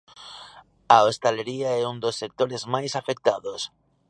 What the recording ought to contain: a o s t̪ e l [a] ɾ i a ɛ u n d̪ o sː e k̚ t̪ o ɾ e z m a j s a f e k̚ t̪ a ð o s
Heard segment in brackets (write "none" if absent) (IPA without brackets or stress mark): e